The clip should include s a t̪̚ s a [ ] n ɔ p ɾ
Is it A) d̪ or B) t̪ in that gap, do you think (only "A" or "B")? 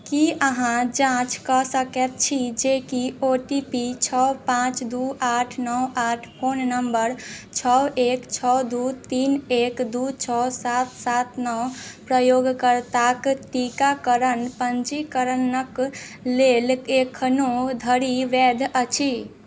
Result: B